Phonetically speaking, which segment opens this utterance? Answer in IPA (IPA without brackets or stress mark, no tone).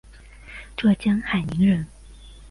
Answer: ʈ͡ʂ